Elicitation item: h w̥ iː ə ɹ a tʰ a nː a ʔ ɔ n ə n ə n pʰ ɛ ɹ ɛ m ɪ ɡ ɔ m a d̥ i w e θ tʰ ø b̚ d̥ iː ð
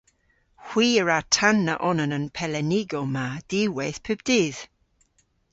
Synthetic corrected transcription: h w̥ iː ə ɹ a tʰ a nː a ʔ ɔ n ə n ə n pʰ ɛ l ɛ n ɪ ɡ ɔ m a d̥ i w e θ pʰ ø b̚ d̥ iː ð